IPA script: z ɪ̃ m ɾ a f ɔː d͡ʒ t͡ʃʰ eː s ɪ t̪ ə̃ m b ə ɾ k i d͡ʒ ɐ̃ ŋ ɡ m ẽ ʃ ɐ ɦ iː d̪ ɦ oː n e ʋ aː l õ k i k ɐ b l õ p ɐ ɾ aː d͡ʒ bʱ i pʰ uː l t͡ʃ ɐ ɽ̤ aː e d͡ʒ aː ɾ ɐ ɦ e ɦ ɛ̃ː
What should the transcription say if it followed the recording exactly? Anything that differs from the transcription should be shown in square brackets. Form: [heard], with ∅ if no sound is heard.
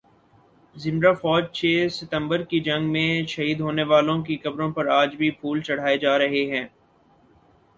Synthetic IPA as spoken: z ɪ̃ m ɾ a f ɔː d͡ʒ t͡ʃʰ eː s ɪ t̪ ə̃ m b ə ɾ k i d͡ʒ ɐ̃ ŋ ɡ m ẽ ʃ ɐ ɦ iː d̪ ɦ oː n e ʋ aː l õ k i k ɐ b [ɾ] õ p ɐ ɾ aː d͡ʒ bʱ i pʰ uː l t͡ʃ ɐ ɽ̤ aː e d͡ʒ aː ɾ ɐ ɦ e ɦ ɛ̃ː

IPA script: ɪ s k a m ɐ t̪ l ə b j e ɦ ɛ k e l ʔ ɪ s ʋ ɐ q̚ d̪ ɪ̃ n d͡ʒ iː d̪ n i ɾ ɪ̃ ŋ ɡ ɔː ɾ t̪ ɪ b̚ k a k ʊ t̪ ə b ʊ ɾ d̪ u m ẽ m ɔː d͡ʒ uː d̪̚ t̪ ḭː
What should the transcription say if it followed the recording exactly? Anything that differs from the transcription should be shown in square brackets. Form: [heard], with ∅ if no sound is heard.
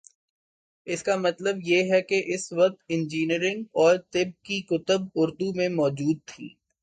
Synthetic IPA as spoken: ɪ s k a m ɐ t̪ l ə b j e ɦ ɛ k e [∅] ʔ ɪ s ʋ ɐ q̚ [t̪] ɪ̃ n d͡ʒ iː [∅] n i ɾ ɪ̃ ŋ ɡ ɔː ɾ t̪ ɪ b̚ k [i] k ʊ t̪ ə b ʊ ɾ d̪ u m ẽ m ɔː d͡ʒ uː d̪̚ [t̪ʰ] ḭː

